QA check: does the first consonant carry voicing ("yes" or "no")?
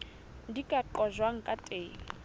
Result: yes